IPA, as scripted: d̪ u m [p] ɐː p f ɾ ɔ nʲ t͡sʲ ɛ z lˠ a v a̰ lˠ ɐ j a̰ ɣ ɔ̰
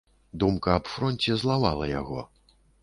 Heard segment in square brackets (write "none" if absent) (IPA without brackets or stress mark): k